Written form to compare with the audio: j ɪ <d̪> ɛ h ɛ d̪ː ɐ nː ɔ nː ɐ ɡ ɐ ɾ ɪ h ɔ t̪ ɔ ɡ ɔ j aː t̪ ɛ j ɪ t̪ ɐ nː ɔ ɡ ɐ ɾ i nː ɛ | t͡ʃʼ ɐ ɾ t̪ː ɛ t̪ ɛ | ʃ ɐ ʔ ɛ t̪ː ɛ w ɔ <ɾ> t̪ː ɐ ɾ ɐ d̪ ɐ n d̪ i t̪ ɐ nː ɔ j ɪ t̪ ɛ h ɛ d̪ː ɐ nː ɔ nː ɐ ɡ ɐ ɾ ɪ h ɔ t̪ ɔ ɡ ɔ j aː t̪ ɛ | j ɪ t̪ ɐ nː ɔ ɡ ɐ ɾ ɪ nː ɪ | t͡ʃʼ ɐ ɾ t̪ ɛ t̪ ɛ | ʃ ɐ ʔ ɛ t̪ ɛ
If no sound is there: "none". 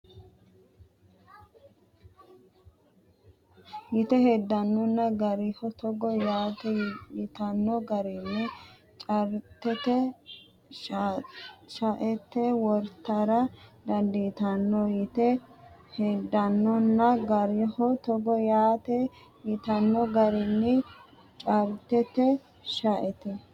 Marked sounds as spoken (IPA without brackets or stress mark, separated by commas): t̪, ɾ